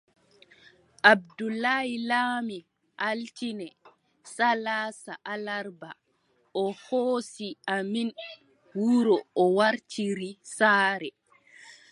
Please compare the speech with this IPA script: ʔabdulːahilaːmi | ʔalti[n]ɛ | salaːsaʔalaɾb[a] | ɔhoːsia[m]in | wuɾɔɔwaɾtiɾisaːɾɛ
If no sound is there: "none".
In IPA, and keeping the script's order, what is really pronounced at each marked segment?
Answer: n, a, m

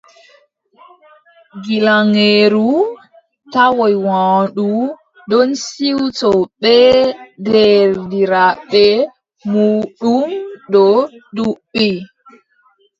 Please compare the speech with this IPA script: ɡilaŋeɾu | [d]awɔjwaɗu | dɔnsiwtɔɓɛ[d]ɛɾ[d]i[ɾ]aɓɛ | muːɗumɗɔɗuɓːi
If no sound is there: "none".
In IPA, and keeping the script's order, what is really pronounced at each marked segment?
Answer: t, d, d, ɾ

